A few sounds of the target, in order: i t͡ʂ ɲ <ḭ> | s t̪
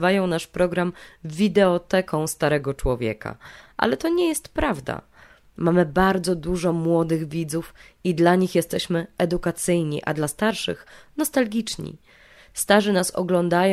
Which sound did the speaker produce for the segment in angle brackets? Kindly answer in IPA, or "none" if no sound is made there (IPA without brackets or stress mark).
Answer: ḭ